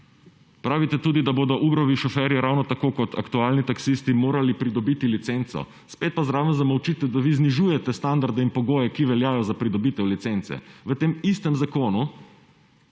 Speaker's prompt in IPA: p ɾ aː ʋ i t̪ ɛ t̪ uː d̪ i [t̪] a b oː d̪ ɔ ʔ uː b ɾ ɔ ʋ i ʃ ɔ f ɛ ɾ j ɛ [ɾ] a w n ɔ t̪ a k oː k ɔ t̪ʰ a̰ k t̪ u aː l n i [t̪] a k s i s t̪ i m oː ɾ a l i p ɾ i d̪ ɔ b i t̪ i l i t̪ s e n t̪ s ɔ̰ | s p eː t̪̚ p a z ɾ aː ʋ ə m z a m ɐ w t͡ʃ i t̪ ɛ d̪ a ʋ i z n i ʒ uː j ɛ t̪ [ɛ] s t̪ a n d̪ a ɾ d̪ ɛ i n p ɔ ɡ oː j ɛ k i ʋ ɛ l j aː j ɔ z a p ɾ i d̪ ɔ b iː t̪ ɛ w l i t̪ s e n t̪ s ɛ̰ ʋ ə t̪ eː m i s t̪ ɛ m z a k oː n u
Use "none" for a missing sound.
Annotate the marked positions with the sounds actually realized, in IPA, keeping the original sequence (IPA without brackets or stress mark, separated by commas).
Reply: d̪, ɾ, t̪, ɛ